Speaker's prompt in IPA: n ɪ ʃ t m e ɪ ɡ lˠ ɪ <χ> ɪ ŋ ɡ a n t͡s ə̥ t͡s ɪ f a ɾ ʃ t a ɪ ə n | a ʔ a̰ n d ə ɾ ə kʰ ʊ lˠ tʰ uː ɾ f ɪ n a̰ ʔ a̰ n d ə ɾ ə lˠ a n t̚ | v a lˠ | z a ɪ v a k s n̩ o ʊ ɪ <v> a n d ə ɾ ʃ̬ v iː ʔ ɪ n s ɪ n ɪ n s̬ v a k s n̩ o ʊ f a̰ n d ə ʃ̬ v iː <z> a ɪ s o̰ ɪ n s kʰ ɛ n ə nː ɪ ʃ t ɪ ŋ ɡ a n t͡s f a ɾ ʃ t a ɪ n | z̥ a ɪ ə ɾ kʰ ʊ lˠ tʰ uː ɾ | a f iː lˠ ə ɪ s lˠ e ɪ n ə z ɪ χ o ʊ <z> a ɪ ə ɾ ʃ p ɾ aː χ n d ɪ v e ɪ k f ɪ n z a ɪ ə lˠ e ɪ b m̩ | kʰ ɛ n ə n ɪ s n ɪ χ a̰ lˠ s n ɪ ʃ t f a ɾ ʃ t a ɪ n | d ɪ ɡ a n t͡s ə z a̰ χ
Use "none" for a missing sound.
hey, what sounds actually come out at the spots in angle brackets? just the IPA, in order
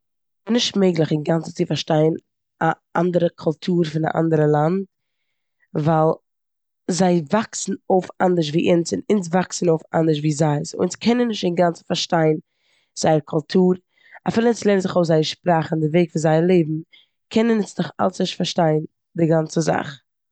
χ, f, z, z

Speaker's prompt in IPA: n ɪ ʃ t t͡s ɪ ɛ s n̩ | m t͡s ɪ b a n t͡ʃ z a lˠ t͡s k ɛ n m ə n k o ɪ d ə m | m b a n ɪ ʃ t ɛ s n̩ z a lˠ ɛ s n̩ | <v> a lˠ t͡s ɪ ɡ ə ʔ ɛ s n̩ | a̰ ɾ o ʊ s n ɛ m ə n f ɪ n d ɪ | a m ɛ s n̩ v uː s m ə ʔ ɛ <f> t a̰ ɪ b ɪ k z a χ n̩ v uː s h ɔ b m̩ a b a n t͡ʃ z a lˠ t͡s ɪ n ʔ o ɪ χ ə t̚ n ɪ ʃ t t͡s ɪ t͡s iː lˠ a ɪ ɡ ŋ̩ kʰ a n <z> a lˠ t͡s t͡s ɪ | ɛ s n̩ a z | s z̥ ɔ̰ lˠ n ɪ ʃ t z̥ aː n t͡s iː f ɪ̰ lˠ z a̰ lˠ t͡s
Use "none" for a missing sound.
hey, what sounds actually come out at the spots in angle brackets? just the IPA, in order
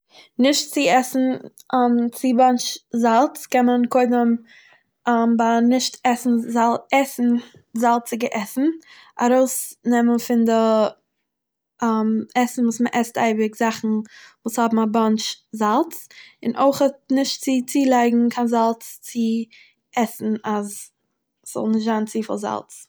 z, s, z

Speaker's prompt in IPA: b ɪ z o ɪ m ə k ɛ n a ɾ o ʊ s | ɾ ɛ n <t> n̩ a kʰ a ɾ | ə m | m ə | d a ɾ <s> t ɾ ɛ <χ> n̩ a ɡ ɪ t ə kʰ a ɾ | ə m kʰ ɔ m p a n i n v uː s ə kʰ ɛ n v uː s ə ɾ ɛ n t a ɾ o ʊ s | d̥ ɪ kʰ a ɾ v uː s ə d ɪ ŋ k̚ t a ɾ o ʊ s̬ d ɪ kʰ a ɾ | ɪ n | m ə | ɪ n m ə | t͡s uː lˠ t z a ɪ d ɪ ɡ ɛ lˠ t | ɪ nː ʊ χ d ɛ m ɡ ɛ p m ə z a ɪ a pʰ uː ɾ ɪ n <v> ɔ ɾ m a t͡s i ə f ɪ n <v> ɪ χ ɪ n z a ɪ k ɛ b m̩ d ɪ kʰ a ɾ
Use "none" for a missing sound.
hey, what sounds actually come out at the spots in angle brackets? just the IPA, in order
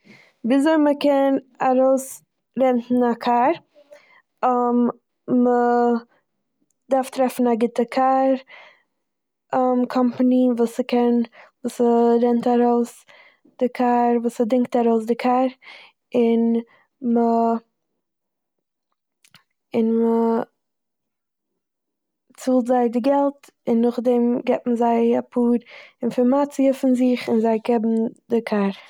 t, f, f, f, z

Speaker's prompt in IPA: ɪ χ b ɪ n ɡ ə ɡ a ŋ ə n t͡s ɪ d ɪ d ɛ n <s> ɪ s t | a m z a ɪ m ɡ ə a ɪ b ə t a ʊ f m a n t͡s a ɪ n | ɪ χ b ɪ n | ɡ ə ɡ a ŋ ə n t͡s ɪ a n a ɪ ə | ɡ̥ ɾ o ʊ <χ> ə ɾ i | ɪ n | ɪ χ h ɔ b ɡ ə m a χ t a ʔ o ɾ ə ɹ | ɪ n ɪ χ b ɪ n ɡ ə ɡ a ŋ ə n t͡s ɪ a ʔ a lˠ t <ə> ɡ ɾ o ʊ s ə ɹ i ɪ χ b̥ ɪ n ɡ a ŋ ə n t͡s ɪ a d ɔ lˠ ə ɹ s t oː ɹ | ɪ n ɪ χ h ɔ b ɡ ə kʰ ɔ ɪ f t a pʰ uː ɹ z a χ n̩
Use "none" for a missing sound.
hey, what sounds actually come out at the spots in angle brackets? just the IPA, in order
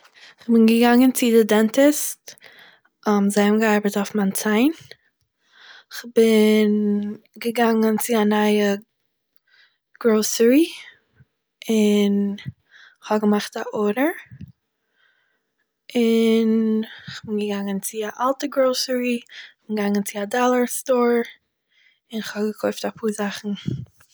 t, s, ə

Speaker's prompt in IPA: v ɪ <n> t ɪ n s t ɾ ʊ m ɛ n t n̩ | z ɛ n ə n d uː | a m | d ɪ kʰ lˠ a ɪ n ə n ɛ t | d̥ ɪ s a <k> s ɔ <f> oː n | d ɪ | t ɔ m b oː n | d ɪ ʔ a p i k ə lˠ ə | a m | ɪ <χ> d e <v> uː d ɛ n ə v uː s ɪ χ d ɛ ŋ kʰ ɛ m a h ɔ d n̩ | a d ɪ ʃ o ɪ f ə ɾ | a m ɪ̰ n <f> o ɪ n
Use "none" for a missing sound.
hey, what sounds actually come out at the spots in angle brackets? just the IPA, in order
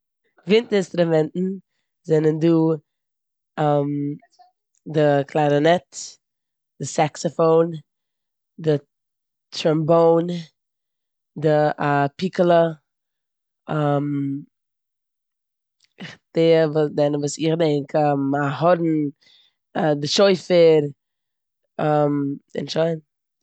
n, k, f, χ, v, ʃ

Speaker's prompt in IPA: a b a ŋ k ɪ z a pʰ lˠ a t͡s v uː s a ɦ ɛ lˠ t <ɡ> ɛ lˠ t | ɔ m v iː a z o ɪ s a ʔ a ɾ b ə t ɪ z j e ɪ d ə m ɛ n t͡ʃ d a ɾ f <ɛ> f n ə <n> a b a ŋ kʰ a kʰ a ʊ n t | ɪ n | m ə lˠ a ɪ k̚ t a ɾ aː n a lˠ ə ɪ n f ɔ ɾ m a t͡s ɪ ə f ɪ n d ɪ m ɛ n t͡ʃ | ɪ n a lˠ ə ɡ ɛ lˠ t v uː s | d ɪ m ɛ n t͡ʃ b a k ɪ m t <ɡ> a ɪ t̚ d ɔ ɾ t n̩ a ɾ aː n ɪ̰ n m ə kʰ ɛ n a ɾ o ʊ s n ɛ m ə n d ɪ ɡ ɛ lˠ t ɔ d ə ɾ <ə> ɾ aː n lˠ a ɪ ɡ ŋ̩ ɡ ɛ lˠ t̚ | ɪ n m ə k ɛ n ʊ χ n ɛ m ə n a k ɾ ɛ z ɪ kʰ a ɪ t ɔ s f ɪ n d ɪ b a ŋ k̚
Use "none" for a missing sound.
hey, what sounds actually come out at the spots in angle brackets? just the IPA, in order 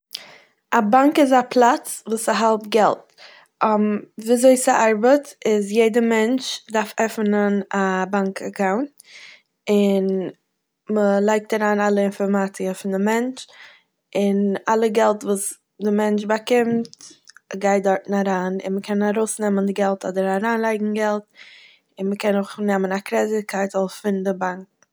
ɡ, ɛ, n, ɡ, a

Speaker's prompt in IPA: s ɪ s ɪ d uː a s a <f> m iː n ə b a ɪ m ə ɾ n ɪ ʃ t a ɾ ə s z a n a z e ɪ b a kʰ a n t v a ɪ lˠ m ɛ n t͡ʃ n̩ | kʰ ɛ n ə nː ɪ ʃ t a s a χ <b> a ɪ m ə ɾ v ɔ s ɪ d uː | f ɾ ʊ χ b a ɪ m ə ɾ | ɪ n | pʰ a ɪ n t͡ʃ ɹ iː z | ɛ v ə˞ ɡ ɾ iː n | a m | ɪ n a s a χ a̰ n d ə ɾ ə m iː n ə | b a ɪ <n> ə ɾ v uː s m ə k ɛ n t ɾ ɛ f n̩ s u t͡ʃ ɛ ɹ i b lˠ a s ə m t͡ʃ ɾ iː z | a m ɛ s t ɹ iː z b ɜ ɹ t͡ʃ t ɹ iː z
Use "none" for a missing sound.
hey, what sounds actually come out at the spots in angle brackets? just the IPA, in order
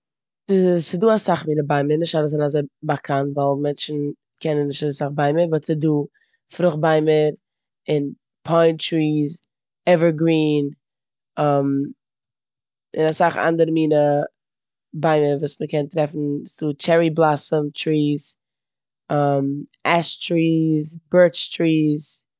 χ, b, m

